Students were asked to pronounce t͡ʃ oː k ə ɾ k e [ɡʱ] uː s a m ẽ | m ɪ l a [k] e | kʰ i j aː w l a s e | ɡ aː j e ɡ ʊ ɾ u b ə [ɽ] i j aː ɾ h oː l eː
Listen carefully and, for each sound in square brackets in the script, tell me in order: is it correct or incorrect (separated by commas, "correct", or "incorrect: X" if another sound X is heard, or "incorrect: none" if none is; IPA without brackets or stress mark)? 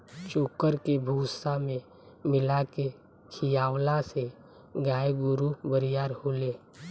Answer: incorrect: bʱ, correct, incorrect: ɾ